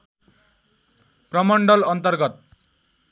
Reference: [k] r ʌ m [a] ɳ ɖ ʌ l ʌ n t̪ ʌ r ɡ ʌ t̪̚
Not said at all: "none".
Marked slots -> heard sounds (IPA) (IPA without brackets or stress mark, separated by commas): p, ʌ